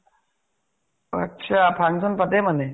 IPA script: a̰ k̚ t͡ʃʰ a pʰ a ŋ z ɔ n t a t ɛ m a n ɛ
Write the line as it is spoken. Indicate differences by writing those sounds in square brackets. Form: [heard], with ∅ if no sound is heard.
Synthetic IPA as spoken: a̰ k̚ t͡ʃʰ a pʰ a ŋ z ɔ n [p] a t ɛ m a n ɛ

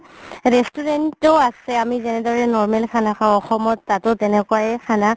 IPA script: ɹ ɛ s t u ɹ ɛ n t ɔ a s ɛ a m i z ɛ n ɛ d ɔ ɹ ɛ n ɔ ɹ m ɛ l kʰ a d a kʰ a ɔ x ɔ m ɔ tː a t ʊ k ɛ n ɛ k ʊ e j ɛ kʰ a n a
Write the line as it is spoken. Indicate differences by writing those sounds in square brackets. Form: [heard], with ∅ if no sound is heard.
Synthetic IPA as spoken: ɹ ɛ s t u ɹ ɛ n t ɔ a s ɛ a m i z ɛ n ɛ d ɔ ɹ ɛ n ɔ ɹ m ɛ l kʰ a [n] a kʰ a ɔ x ɔ m ɔ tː a t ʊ [t] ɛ n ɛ k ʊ [a] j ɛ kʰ a n a

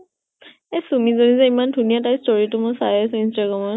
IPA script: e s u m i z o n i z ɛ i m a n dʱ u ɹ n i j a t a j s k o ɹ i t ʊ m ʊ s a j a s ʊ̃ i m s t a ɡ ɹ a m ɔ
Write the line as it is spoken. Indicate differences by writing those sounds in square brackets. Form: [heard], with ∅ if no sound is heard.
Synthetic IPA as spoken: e s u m i z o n i z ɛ i m a n dʱ u [∅] n i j a t a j s [t] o ɹ i t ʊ m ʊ s a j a s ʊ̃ i [n] s t a ɡ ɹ a m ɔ

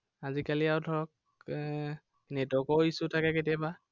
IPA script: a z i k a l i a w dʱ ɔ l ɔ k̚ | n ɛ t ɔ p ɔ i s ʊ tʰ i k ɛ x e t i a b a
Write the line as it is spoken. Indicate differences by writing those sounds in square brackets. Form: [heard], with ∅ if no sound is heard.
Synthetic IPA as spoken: a z i k a l i a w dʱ ɔ [ɹ] ɔ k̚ | n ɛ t ɔ [k] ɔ i s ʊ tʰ [a] k ɛ [k] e t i a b a

